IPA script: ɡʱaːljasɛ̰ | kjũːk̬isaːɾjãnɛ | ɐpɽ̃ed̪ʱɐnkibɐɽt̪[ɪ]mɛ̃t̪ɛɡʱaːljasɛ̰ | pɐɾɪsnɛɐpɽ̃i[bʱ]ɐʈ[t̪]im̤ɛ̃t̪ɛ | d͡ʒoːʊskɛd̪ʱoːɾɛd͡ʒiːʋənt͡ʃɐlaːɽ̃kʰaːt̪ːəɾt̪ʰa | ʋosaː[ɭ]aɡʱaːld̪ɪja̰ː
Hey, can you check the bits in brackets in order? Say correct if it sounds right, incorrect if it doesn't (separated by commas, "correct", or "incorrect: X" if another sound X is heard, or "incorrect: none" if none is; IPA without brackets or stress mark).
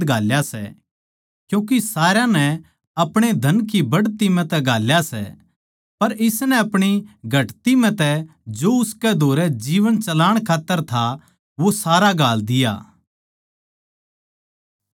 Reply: incorrect: i, incorrect: ɡʱ, correct, incorrect: ɾ